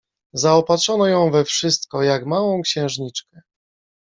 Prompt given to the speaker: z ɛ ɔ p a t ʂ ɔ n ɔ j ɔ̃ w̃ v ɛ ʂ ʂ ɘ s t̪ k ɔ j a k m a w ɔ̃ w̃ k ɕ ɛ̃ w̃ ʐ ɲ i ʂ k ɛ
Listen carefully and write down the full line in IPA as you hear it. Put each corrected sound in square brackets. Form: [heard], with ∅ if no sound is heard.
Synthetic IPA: z [a] ɔ p a t ʂ ɔ n ɔ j ɔ̃ w̃ v ɛ [f] ʂ ɘ s t̪ k ɔ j a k m a w ɔ̃ w̃ k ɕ ɛ̃ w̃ ʐ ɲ i [t͡ʂ] k ɛ

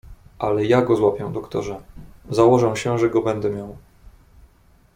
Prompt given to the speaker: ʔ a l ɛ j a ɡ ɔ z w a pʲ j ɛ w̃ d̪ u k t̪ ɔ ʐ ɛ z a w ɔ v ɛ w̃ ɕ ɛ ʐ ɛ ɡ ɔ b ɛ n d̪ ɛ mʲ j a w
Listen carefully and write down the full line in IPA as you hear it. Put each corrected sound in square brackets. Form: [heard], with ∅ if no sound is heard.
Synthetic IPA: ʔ a l ɛ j a ɡ ɔ z w a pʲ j ɛ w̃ d̪ [ɔ] k t̪ ɔ ʐ ɛ z a w ɔ [ʐ] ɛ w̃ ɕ ɛ ʐ ɛ ɡ ɔ b ɛ n d̪ ɛ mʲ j a w

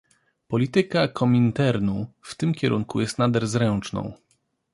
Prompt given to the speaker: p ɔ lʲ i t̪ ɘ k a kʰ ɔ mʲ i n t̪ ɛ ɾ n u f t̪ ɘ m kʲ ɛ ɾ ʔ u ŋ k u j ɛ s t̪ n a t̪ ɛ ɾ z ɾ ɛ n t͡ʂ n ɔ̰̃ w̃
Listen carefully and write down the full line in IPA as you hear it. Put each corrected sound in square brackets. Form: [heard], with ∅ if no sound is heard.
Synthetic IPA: p ɔ lʲ i t̪ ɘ k a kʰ ɔ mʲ i n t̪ ɛ ɾ n u f t̪ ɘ m kʲ ɛ ɾ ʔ u ŋ k u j ɛ s t̪ n a [d̪] ɛ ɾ z ɾ ɛ n t͡ʂ n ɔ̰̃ w̃

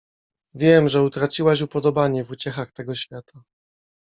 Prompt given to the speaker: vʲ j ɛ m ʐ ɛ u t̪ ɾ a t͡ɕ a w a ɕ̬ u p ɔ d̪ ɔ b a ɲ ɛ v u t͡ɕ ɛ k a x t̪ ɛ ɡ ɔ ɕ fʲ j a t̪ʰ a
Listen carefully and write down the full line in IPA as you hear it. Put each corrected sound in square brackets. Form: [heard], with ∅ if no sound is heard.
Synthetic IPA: vʲ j ɛ m ʐ ɛ u t̪ ɾ a t͡ɕ [i] w a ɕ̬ u p ɔ d̪ ɔ b a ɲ ɛ v u t͡ɕ ɛ [x] a x t̪ ɛ ɡ ɔ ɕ fʲ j a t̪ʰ a

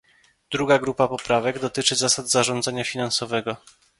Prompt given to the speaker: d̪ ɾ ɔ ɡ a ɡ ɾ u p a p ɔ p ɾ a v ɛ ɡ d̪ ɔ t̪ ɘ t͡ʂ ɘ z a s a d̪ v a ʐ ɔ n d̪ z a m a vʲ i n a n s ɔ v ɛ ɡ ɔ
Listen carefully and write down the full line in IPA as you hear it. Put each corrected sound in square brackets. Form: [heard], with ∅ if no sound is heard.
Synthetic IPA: d̪ ɾ [u] ɡ a ɡ ɾ u p a p ɔ p ɾ a v ɛ ɡ d̪ ɔ t̪ ɘ t͡ʂ ɘ z a s a d̪ [z] a ʐ ɔ n d̪ z a [ɲ] a [fʲ] i n a n s ɔ v ɛ ɡ ɔ

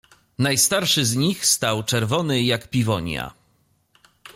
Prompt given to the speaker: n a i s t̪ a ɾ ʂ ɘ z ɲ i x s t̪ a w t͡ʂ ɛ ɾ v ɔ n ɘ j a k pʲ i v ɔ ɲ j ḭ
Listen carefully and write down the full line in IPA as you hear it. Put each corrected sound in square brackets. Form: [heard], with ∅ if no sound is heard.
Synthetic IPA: n a [j] s t̪ a ɾ ʂ ɘ z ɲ i x s t̪ a w t͡ʂ ɛ ɾ v ɔ n ɘ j a k pʲ i v ɔ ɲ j [a̰]

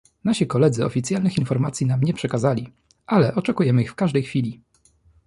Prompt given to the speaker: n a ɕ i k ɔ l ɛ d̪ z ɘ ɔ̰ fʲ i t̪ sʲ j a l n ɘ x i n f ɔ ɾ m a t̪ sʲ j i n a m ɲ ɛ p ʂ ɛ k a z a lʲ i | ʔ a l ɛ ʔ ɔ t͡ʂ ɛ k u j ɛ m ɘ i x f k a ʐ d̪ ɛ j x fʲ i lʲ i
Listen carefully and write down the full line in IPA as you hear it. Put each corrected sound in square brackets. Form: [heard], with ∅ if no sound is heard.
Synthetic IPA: n a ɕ i k ɔ l ɛ d̪ z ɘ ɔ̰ fʲ i t̪ sʲ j a l n ɘ x i n f ɔ ɾ m a t̪ sʲ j i n a m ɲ ɛ p ʂ ɛ k a z a lʲ i | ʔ a l ɛ ʔ ɔ t͡ʂ ɛ k u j ɛ m ɘ i x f k a ʐ d̪ ɛ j x fʲ i lʲ i

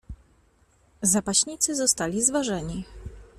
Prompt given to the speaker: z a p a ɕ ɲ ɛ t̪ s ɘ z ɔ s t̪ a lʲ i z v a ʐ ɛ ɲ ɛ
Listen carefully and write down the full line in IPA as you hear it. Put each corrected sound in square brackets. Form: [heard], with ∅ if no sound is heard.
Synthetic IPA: z a p a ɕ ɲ [i] t̪ s ɘ z ɔ s t̪ a lʲ i z v a ʐ ɛ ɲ [i]

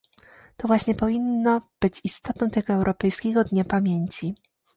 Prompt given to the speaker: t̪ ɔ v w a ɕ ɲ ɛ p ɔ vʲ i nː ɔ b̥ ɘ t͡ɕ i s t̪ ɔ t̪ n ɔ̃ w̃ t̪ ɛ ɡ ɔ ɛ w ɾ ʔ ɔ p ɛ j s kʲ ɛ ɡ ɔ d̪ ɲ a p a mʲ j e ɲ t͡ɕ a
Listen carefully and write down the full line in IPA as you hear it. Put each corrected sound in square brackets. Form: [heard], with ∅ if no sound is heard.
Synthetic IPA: t̪ ɔ v w a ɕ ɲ ɛ p ɔ vʲ i nː ɔ b̥ ɘ t͡ɕ i s t̪ ɔ t̪ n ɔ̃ w̃ t̪ ɛ ɡ ɔ ɛ w ɾ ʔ ɔ p ɛ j s kʲ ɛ ɡ ɔ d̪ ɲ a p a mʲ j e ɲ t͡ɕ [i]

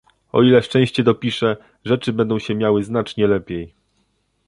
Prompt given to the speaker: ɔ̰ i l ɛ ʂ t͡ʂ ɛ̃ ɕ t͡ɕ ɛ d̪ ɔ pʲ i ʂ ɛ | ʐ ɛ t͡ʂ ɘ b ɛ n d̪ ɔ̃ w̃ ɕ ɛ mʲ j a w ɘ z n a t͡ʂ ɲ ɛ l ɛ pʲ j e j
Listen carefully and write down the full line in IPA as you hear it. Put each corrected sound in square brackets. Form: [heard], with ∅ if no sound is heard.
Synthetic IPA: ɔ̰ i l ɛ ʂ t͡ʂ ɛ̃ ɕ t͡ɕ ɛ d̪ ɔ pʲ i ʂ ɛ | ʐ ɛ t͡ʂ ɘ b ɛ n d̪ ɔ̃ w̃ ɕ ɛ mʲ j a w ɘ z n a t͡ʂ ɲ ɛ l ɛ pʲ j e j

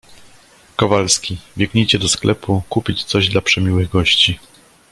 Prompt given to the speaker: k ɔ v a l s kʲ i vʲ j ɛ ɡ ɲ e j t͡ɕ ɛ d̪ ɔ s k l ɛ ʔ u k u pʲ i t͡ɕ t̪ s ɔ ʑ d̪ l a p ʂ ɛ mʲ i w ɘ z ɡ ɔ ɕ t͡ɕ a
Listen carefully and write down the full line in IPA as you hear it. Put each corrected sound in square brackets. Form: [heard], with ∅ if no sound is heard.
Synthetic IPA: k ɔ v a l s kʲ i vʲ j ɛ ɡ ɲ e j t͡ɕ ɛ d̪ ɔ s k l ɛ [p] u k u pʲ i t͡ɕ t̪ s ɔ ʑ d̪ l a p ʂ ɛ mʲ i w ɘ [ɣ] ɡ ɔ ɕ t͡ɕ [i]

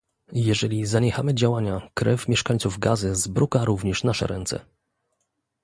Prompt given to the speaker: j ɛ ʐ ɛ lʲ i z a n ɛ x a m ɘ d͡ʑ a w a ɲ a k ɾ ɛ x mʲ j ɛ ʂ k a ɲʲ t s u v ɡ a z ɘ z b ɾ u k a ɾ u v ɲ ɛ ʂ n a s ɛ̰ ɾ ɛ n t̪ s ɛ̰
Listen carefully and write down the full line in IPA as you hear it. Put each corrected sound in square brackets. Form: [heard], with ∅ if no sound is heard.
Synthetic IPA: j ɛ ʐ ɛ lʲ i z a [ɲ] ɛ x a m ɘ d͡ʑ a w a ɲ a k ɾ ɛ [f] mʲ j ɛ ʂ k a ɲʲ t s u v ɡ a z ɘ z b ɾ u k a ɾ u v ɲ ɛ ʂ n a [ʂ] ɛ̰ ɾ ɛ n t̪ s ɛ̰

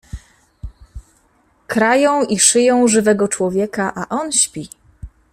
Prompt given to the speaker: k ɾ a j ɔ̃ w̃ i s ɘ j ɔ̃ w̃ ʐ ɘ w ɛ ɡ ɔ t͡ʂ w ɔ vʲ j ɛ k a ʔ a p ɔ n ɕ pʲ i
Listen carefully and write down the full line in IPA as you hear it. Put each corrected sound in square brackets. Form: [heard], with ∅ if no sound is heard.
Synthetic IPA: k ɾ a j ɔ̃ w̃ i [ʂ] ɘ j ɔ̃ w̃ ʐ ɘ [v] ɛ ɡ ɔ t͡ʂ w ɔ vʲ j ɛ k a ʔ a [ʔ] ɔ n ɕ pʲ i

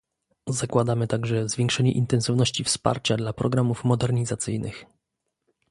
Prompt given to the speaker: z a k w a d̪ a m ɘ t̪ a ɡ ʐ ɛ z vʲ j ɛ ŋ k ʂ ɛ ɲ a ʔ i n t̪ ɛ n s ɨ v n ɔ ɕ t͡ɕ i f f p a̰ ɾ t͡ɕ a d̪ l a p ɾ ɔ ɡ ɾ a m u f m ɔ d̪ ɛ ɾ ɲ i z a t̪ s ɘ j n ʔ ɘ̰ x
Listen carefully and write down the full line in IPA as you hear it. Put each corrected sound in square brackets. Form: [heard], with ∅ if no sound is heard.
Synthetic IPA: z a k w a d̪ a m ɘ t̪ a ɡ ʐ ɛ z vʲ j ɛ ŋ k ʂ ɛ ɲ [ɛ] ʔ i n t̪ ɛ n s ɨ v n ɔ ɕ t͡ɕ i f [s] p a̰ ɾ t͡ɕ a d̪ l a p ɾ ɔ ɡ ɾ a m u f m ɔ d̪ ɛ ɾ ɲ i z a t̪ s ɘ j n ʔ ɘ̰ x

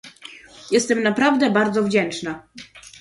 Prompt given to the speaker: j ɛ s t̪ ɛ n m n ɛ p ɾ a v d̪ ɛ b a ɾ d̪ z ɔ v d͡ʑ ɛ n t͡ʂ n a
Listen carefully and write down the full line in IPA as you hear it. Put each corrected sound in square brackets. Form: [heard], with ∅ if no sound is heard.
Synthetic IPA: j ɛ s t̪ ɛ [∅] m n [a] p ɾ a v d̪ ɛ b a ɾ d̪ z ɔ v d͡ʑ ɛ n t͡ʂ n a

